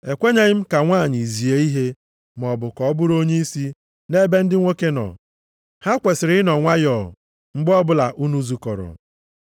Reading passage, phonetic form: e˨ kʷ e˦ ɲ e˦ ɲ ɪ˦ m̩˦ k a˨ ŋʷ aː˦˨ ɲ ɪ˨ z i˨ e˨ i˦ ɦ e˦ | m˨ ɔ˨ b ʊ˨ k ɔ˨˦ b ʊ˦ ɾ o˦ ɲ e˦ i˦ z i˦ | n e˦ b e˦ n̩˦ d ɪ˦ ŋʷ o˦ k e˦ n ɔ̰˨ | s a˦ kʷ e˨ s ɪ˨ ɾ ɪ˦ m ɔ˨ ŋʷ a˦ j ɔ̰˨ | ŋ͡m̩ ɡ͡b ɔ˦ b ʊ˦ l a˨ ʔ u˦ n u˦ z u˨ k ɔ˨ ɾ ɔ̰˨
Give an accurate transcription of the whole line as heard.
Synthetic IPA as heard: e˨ kʷ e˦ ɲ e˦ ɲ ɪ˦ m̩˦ k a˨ ŋʷ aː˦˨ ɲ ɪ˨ z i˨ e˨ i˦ ɦ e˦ | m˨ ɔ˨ b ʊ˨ k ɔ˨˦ b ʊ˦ ɾ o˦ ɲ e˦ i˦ s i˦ | n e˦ b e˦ n̩˦ d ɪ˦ ŋʷ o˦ k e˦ n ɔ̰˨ | h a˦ kʷ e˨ s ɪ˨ ɾ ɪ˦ n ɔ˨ ŋʷ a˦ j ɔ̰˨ | ŋ͡m̩ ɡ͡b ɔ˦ b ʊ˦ l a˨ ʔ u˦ n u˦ z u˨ k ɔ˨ ɾ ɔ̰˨